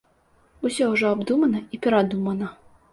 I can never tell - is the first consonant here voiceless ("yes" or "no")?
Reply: yes